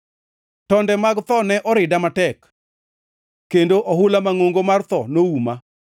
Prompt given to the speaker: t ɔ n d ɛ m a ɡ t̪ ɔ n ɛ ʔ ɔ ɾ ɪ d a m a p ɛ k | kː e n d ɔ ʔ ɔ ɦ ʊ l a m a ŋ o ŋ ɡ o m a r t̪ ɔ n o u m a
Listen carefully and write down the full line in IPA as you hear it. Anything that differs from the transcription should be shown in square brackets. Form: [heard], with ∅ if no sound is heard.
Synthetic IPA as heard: t ɔ n d ɛ m a ɡ t̪ ɔ n ɛ ʔ ɔ ɾ ɪ d a m a [t] ɛ k | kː e n d [o] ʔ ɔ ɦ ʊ l a m a ŋ o ŋ ɡ o m a r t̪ ɔ n o u m a